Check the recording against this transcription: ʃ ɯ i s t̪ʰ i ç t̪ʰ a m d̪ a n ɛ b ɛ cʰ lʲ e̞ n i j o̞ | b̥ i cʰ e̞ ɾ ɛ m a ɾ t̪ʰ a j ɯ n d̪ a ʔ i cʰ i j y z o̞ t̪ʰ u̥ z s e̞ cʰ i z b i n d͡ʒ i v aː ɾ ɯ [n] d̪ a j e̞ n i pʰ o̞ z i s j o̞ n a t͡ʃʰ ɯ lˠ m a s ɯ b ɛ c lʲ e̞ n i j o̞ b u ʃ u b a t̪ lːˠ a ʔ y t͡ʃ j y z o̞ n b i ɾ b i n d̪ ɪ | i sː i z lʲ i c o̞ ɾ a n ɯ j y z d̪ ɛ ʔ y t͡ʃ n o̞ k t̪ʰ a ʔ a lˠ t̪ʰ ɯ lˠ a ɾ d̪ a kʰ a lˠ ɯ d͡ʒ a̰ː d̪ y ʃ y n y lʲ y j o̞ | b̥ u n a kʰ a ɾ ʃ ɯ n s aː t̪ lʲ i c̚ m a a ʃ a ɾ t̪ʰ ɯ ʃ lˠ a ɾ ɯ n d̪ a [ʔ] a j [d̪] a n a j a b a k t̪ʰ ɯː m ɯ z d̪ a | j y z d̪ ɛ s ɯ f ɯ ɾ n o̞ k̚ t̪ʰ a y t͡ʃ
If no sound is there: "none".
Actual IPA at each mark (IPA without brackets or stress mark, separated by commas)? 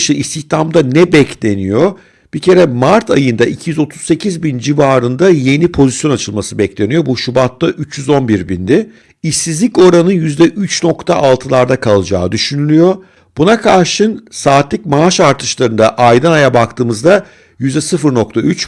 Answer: n, ʔ, d̪